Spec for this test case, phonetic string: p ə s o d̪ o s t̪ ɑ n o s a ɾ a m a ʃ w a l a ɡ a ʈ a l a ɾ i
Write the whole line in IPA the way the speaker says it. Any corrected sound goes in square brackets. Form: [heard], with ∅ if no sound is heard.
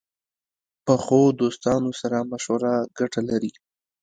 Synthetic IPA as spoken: p ə [x] o d̪ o s t̪ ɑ n o s a ɾ a m a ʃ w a [ɾ] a ɡ a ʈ a l a ɾ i

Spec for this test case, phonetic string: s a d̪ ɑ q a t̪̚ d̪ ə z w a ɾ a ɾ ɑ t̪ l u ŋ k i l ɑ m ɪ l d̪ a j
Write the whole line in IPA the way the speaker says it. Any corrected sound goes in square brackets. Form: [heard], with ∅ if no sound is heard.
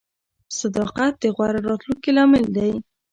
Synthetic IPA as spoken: s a d̪ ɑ q a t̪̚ d̪ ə [ɣ] w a ɾ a ɾ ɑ t̪ l u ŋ k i l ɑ m ɪ l d̪ a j

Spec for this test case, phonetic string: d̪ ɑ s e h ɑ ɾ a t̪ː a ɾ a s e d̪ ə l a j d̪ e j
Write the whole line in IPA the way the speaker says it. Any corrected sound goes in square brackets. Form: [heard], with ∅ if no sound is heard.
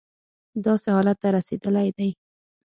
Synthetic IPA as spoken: d̪ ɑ s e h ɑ [l] a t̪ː a ɾ a s e d̪ ə l a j d̪ [a] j

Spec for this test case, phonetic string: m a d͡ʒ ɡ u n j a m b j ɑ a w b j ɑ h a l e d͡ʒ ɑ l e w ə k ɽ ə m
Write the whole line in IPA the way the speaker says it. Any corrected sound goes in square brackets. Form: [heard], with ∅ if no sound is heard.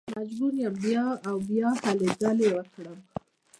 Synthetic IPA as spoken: m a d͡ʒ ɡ u n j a m b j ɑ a w b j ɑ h a l e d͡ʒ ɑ l e w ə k ɽ ə m

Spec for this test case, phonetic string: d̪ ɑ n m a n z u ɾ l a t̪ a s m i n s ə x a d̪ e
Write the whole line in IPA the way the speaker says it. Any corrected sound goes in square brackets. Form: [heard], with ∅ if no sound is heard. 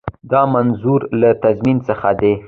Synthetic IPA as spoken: d̪ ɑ [∅] m a n z u ɾ l a t̪ a [z] m i n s ə x a d̪ e

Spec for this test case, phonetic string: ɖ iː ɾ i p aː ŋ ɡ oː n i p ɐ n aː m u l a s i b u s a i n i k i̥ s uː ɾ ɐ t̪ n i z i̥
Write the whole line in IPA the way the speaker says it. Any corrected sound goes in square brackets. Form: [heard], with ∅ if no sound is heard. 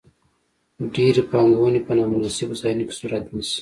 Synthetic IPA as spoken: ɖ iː ɾ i p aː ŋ ɡ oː n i p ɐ n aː m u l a s i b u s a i n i k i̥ s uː ɾ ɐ t̪ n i [s] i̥

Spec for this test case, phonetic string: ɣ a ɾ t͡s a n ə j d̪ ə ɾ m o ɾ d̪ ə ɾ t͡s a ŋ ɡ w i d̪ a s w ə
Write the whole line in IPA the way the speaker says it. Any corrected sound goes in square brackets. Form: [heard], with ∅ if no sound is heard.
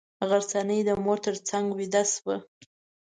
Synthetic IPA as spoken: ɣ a ɾ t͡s a n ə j d̪ ə [∅] m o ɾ [t̪] ə ɾ t͡s a ŋ ɡ w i d̪ a s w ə

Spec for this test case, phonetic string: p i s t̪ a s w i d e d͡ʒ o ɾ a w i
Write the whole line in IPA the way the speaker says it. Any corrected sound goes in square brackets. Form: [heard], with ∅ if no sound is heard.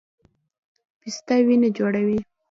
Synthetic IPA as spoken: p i s t̪ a [∅] w i [n] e d͡ʒ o [ɽ] a w i

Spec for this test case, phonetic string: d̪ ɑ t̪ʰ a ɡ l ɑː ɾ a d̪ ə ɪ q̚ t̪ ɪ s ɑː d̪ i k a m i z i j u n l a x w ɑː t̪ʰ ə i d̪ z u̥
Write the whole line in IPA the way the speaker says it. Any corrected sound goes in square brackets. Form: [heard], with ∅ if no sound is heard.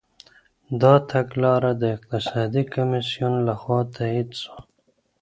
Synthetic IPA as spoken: d̪ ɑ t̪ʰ a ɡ l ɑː ɾ a d̪ ə ɪ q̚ t̪ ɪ s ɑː d̪ i k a m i [s] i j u n l a x w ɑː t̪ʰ [a] i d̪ [s] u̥

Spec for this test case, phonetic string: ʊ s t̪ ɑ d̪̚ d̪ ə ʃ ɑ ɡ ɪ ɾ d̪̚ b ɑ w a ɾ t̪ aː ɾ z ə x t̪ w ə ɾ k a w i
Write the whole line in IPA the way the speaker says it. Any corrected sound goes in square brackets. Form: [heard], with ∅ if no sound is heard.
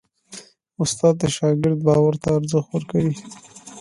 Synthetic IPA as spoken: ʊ s t̪ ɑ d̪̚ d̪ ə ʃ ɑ ɡ ɪ ɾ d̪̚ b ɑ w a ɾ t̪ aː ɾ z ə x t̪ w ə ɾ k a w i

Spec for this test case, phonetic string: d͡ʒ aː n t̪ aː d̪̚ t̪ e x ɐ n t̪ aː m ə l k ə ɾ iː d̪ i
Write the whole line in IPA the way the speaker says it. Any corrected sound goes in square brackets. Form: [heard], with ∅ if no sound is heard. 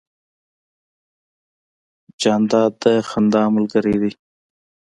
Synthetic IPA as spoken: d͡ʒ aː n [d̪] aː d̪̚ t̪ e x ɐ n [d̪] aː m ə l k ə ɾ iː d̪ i

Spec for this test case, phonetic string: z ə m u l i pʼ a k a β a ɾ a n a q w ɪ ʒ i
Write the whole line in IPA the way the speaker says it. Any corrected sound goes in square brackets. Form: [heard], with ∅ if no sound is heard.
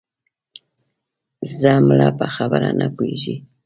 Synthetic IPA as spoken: z [a] m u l [a] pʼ a [x] a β a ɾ a n a [k] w [i] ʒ i

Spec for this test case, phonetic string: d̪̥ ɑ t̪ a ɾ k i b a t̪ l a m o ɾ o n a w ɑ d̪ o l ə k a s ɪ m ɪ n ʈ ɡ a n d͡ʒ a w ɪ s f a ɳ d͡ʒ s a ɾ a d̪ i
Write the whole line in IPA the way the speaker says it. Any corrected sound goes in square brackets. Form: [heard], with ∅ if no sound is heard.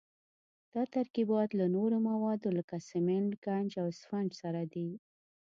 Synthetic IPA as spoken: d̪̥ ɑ t̪ a ɾ k i b [ɑ] t̪ l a [n] o ɾ o [m] a w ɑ d̪ o l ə k a s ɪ m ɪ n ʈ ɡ a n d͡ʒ a w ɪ s f a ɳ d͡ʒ s a ɾ a d̪ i

